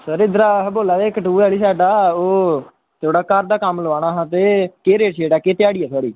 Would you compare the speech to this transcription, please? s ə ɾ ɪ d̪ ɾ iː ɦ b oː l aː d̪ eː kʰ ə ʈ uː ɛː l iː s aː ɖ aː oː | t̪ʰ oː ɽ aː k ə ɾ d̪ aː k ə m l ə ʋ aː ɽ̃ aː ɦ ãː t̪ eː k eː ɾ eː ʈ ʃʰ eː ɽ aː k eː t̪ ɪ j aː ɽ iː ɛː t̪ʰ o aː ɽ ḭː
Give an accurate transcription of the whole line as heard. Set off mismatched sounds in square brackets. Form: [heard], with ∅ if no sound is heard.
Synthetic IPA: s ə ɾ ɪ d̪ ɾ [aː] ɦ b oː l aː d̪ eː [k] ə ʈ uː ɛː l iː s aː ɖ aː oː | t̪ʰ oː ɽ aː k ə ɾ d̪ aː k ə m l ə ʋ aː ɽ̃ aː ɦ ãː t̪ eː k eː ɾ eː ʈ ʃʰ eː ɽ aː k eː t̪ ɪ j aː ɽ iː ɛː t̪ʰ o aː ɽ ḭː